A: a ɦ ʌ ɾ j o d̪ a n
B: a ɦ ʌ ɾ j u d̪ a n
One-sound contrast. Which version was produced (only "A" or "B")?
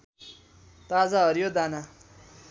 A